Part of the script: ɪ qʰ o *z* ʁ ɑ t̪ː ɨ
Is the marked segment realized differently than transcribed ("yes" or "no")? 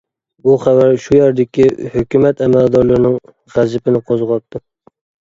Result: no